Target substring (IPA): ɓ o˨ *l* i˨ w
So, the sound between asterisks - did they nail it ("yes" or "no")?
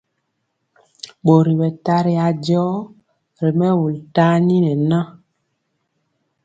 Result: no